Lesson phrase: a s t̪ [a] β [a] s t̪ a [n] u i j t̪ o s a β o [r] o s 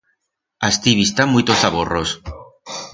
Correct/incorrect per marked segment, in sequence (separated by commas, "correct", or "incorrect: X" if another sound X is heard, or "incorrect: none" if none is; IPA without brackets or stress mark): incorrect: i, incorrect: i, incorrect: m, correct